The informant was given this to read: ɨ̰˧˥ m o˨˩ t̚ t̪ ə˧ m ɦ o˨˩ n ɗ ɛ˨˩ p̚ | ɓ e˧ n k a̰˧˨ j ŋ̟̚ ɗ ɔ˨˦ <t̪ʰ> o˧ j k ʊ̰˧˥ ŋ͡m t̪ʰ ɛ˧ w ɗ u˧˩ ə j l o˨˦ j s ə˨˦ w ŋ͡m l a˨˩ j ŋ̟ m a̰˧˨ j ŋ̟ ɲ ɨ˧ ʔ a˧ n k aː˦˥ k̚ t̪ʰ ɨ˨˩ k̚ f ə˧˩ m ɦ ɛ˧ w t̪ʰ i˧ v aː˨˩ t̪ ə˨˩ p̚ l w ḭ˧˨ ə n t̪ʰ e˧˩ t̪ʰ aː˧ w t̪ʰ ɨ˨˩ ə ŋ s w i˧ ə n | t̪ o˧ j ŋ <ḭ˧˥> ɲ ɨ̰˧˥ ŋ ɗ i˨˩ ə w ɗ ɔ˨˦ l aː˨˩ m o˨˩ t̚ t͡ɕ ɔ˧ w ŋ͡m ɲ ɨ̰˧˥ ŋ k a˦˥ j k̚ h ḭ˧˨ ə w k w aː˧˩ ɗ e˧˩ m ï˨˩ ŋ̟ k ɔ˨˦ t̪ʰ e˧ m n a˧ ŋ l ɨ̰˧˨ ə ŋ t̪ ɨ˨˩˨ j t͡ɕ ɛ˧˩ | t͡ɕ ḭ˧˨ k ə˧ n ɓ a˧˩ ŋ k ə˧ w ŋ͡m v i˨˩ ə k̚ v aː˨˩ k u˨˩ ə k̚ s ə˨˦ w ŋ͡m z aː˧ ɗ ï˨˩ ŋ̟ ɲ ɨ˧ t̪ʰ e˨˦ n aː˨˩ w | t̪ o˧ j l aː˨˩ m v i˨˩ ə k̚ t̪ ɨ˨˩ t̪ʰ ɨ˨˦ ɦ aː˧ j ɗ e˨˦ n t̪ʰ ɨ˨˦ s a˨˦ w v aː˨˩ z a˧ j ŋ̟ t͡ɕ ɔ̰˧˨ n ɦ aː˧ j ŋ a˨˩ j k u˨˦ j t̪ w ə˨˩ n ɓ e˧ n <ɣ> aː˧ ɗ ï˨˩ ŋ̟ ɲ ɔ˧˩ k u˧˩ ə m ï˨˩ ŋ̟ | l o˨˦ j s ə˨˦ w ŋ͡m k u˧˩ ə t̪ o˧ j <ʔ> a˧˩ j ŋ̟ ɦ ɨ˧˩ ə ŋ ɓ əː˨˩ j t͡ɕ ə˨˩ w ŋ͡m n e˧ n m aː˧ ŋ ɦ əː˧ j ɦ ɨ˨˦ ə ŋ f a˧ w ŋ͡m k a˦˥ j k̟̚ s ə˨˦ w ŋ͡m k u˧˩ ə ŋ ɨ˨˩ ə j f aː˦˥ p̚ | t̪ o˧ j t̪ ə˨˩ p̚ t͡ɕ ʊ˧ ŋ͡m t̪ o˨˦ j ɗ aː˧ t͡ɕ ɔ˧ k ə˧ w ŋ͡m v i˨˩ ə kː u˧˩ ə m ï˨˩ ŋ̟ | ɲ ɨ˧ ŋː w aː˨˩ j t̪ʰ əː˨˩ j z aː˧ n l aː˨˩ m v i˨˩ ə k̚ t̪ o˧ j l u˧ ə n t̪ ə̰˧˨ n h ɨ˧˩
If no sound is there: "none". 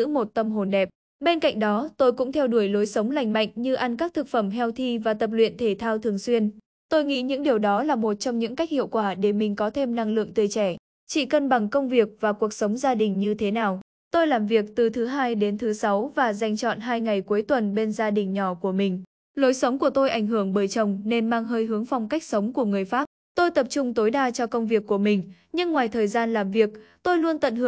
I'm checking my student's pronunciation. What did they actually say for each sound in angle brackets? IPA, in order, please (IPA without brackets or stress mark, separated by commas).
t̪, ḭ˧˥, z, ʔ